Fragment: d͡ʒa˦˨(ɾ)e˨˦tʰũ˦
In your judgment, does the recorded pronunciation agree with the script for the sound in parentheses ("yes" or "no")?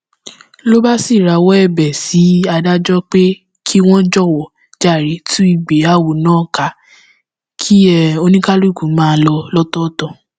yes